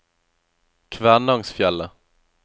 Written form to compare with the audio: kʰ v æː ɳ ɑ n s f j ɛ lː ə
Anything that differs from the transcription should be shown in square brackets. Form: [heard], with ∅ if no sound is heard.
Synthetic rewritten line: kʰ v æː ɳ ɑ [ŋ] s f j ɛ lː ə

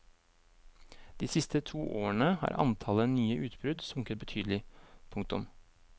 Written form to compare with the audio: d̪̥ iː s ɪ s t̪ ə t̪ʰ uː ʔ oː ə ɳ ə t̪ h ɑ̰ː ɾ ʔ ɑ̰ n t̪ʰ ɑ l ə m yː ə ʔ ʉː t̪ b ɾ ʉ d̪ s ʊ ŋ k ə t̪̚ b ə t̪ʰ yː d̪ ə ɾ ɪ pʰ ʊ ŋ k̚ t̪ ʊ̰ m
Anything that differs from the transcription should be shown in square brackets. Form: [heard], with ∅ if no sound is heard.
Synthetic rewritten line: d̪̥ iː s ɪ s t̪ ə t̪ʰ uː ʔ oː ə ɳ ə [∅] h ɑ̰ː ɾ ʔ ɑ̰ n t̪ʰ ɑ l ə [n] yː ə ʔ ʉː t̪ b ɾ ʉ d̪ s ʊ ŋ k ə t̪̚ b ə t̪ʰ yː d̪ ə [l] ɪ pʰ ʊ ŋ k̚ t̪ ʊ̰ m

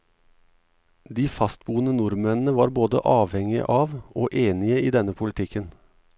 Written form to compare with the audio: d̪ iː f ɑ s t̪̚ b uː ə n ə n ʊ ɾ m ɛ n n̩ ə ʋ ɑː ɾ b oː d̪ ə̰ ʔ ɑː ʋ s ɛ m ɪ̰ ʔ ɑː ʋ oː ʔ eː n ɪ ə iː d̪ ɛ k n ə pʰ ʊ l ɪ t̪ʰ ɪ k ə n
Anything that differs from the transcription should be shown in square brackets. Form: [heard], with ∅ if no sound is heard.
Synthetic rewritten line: d̪ iː f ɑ s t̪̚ b uː ə n ə n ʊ ɾ m ɛ n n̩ ə ʋ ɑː ɾ b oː d̪ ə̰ ʔ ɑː ʋ [h] ɛ [ŋ] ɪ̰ ʔ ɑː ʋ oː ʔ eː n ɪ ə iː d̪ ɛ [∅] n ə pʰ ʊ l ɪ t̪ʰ ɪ k ə n

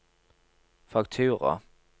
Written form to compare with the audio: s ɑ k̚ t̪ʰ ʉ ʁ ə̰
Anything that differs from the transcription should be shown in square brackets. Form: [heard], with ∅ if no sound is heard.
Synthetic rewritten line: [f] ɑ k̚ t̪ʰ [ʉː] ʁ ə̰

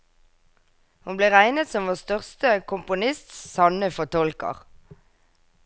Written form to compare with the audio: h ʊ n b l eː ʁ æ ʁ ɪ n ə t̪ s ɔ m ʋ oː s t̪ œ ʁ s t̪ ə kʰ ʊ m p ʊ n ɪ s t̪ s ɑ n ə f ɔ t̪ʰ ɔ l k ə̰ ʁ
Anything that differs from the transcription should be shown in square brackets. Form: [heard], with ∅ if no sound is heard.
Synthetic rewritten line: h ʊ n b l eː ʁ æ [∅] ɪ n ə t̪ s ɔ m ʋ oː s t̪ œ ʁ s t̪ ə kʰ ʊ m p ʊ n ɪ s t̪ s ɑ n ə f ɔ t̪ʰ ɔ l k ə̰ ʁ

